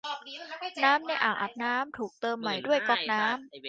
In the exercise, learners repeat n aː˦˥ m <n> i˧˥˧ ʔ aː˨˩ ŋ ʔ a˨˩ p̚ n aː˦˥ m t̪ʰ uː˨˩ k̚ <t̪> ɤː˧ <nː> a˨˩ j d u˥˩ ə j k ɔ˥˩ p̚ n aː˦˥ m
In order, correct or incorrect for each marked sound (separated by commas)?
correct, correct, incorrect